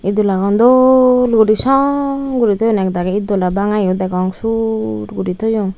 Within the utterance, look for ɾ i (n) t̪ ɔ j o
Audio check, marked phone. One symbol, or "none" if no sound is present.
none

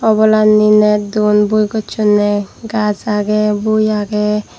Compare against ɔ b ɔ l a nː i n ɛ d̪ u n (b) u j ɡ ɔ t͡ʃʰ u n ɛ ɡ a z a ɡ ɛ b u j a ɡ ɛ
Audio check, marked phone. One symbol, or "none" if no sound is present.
b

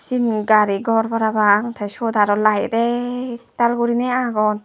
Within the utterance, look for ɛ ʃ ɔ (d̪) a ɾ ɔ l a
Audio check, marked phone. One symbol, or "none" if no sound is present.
d̪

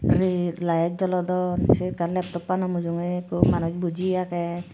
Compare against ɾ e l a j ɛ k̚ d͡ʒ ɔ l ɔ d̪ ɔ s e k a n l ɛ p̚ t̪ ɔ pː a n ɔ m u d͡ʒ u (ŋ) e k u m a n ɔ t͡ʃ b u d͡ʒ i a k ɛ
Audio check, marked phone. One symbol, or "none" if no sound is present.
ŋ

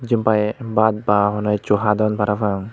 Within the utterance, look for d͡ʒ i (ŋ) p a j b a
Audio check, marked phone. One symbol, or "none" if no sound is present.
m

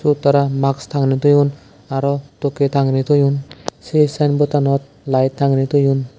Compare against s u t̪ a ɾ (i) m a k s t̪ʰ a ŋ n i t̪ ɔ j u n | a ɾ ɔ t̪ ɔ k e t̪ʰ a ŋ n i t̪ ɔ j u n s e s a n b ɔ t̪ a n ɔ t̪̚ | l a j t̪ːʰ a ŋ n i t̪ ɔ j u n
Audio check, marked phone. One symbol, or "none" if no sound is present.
a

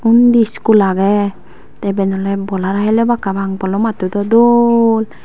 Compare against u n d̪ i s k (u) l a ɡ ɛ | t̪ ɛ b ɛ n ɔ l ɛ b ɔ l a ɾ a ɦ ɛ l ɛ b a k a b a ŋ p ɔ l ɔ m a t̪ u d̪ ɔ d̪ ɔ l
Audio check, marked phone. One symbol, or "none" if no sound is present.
u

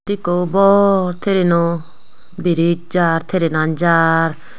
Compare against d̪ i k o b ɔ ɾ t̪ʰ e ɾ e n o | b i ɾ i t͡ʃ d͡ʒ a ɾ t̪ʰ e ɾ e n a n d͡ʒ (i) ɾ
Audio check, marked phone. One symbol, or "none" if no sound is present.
a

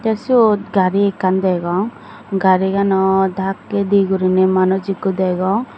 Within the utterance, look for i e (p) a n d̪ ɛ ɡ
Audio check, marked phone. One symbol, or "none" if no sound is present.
k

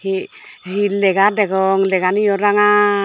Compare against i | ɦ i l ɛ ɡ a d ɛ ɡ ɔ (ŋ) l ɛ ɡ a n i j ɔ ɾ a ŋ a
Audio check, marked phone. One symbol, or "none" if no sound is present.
ŋ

